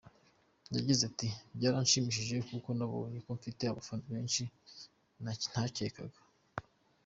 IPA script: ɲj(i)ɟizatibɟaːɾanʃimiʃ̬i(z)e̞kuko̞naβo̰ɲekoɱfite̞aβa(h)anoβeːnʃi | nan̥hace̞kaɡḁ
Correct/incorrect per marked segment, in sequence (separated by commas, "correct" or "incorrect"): incorrect, incorrect, incorrect